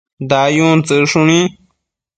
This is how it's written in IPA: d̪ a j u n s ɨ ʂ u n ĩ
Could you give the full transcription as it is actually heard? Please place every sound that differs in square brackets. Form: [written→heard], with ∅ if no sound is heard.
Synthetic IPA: d̪ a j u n [s→t͡s] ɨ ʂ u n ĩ